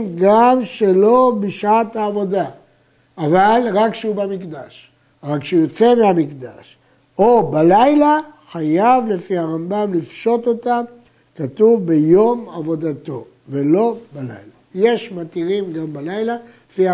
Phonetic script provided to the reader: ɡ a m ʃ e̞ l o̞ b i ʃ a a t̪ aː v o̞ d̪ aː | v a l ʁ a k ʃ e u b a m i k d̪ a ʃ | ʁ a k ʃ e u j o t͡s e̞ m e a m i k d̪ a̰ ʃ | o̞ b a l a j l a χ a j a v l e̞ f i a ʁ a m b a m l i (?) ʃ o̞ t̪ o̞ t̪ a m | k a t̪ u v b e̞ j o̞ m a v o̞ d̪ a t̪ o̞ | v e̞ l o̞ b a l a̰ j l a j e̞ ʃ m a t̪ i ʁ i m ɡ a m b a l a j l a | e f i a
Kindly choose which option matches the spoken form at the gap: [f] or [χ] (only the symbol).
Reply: f